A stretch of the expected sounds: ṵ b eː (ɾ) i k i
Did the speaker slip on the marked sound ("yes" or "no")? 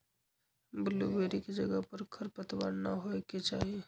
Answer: no